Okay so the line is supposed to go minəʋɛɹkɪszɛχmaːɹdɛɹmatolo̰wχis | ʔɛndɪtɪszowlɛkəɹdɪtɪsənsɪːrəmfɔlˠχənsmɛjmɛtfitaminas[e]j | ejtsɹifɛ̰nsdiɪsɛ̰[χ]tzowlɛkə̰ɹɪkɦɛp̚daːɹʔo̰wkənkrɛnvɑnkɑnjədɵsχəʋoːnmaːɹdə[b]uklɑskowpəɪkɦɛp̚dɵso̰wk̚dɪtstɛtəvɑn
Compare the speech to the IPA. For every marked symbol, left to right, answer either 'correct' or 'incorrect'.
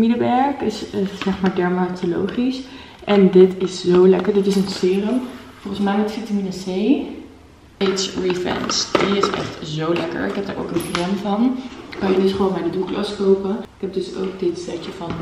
correct, correct, incorrect

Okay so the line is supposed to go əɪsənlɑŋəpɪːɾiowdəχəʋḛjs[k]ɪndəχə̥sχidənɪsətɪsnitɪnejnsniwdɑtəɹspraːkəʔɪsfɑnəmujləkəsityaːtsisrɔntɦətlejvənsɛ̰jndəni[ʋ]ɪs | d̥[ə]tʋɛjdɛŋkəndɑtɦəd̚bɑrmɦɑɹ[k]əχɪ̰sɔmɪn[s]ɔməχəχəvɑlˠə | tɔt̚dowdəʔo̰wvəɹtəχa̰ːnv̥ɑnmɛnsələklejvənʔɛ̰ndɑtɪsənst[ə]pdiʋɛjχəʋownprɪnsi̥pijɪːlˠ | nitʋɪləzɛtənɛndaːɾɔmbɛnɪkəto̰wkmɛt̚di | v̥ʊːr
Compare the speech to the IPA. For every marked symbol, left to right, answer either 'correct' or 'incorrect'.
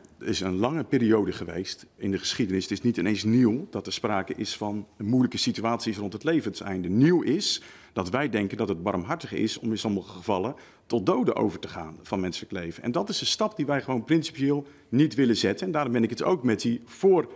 incorrect, incorrect, incorrect, incorrect, correct, incorrect

